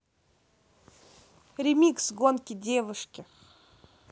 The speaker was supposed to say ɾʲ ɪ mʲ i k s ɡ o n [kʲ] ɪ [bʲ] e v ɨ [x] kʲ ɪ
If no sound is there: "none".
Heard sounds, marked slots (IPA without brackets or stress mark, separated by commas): kʲ, dʲ, ʂ